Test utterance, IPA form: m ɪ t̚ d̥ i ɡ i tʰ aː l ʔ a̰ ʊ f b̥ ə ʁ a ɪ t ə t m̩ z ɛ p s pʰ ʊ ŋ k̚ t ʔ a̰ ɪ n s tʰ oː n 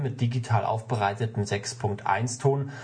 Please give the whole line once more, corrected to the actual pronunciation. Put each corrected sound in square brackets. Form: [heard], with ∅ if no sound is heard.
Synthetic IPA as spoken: m ɪ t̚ d̥ i ɡ i tʰ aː l ʔ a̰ ʊ f b̥ ə ʁ a ɪ t ə t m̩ z ɛ [k] s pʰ ʊ ŋ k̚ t ʔ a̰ ɪ n s tʰ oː n